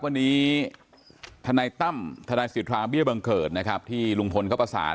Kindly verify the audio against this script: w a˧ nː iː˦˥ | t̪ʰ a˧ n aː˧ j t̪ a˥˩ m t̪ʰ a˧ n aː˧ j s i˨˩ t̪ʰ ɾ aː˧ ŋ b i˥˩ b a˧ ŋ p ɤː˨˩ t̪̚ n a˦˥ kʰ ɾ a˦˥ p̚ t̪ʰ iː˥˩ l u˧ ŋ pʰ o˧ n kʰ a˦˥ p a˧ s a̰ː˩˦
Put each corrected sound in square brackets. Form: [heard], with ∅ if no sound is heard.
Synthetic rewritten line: w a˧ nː iː˦˥ | t̪ʰ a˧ n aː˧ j t̪ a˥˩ m t̪ʰ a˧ n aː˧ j s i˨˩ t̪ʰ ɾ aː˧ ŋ b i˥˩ b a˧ ŋ [k] ɤː˨˩ t̪̚ n a˦˥ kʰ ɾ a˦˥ p̚ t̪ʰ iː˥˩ l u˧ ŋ pʰ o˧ n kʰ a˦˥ p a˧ s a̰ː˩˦

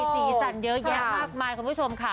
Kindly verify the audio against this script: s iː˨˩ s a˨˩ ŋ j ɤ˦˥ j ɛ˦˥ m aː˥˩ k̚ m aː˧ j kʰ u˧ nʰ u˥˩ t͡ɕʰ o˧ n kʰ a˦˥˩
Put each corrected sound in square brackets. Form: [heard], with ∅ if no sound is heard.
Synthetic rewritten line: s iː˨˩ s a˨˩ [n] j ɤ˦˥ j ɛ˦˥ m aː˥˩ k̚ m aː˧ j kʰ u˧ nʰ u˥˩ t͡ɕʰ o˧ [m] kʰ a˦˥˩

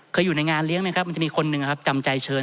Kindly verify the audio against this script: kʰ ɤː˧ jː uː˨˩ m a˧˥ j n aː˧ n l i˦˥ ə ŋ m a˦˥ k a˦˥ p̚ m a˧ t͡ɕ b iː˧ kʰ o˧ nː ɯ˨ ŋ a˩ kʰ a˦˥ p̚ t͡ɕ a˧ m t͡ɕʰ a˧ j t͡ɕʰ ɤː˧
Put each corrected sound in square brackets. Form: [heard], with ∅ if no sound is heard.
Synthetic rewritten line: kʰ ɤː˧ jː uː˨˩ [n] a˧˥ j [ŋ] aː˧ n l i˦˥ ə ŋ m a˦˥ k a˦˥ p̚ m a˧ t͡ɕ [m] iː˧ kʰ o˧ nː ɯ˨ ŋ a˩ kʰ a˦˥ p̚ t͡ɕ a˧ m [t͡ɕ] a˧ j t͡ɕʰ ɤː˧

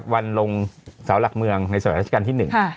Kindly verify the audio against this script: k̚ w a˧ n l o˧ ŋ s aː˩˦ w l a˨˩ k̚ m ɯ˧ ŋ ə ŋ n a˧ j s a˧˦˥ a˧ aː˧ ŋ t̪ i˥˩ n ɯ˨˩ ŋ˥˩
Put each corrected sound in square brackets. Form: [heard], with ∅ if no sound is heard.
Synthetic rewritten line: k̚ w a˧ n l o˧ ŋ s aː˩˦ w l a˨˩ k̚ m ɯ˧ [∅] ə ŋ n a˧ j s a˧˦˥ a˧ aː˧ [n] t̪ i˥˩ n ɯ˨˩ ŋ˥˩

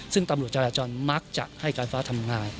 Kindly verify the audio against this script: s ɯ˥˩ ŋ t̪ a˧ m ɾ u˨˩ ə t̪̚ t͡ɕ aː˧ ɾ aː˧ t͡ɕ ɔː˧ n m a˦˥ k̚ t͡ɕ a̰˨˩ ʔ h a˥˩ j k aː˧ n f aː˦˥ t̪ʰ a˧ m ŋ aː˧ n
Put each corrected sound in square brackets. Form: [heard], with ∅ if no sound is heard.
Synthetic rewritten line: s ɯ˥˩ ŋ t̪ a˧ m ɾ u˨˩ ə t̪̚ t͡ɕ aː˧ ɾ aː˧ t͡ɕ ɔː˧ n m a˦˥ k̚ t͡ɕ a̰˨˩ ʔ h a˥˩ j k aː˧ n f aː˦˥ t̪ʰ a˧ m ŋ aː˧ n

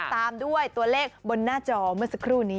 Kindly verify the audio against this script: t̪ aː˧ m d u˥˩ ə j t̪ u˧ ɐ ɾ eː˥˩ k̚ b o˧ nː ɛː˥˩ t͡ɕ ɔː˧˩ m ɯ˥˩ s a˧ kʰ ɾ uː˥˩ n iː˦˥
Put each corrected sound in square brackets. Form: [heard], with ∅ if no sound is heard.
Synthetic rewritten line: t̪ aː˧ m d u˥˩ ə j t̪ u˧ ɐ [l] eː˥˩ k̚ b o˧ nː [aː˥˩] t͡ɕ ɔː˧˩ m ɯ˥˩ s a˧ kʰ ɾ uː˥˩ n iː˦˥

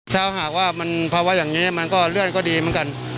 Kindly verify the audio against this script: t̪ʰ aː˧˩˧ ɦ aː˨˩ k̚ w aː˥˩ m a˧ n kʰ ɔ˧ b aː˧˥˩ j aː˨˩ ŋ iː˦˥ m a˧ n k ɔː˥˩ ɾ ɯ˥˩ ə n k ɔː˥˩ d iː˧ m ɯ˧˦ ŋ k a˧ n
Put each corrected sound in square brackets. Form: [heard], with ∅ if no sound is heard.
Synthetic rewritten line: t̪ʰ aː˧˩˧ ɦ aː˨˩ k̚ w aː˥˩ m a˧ n [pʰ] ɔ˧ [w] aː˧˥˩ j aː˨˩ ŋ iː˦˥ m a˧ n k ɔː˥˩ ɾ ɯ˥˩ ə n k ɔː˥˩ d iː˧ m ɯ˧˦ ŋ k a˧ n

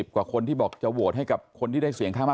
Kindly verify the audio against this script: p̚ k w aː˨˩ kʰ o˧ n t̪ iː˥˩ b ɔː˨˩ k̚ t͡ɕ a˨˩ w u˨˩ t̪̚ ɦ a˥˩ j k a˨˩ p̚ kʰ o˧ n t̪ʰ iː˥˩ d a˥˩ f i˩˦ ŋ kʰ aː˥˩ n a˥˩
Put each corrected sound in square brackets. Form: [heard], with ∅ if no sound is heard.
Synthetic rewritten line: p̚ k w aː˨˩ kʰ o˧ n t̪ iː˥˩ b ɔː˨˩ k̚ t͡ɕ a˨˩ w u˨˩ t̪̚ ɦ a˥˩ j k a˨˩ p̚ kʰ o˧ n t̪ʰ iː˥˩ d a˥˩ [s] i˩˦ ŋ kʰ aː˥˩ [m] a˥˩

